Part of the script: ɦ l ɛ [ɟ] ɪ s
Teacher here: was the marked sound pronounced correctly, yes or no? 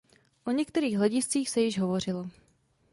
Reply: yes